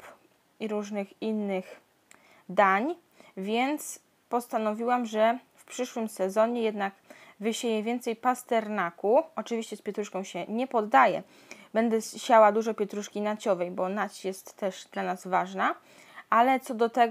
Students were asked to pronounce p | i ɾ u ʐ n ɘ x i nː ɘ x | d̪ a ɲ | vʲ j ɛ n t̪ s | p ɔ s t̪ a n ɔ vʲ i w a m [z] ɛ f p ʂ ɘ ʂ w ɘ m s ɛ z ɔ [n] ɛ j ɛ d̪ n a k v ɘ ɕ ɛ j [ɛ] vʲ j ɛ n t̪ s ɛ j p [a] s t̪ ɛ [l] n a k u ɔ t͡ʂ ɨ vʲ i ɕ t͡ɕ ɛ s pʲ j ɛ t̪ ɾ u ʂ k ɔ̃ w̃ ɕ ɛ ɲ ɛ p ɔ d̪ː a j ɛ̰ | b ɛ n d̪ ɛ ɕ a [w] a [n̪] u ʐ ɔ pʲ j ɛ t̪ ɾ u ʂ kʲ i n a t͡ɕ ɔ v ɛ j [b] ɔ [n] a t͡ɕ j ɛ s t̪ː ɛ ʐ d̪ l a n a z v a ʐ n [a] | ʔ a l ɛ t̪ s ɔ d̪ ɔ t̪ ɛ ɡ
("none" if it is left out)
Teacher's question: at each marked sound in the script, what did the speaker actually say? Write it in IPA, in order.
ʐ, ɲ, ɛ, a, ɾ, w, d̪, b, n, a

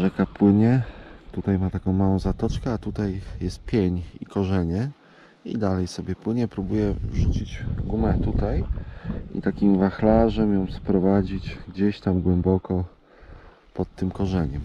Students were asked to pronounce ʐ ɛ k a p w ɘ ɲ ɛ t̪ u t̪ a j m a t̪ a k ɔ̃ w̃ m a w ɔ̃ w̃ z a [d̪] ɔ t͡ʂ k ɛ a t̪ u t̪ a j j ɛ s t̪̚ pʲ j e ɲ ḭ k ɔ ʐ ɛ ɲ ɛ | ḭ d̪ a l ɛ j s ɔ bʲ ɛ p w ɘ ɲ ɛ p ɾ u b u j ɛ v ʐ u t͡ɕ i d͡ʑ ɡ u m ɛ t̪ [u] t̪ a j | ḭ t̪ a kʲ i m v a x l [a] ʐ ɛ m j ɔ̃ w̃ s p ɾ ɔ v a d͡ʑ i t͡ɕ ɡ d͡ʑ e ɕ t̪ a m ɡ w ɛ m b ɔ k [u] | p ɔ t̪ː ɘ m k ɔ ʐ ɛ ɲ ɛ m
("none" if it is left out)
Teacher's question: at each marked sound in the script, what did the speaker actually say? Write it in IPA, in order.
t̪, u, a, ɔ

